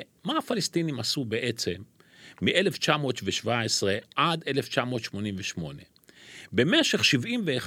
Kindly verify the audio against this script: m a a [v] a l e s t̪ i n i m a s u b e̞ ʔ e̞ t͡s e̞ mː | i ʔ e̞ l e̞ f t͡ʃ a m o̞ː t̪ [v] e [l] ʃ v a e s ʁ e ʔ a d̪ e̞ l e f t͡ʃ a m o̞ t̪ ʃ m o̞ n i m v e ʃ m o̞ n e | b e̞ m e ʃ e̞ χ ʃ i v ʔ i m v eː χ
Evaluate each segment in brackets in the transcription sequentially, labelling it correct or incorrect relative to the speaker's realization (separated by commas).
incorrect, correct, incorrect